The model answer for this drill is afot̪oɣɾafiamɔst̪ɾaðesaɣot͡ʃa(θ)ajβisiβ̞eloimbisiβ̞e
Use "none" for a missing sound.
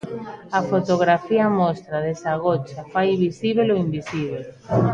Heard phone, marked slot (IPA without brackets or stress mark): f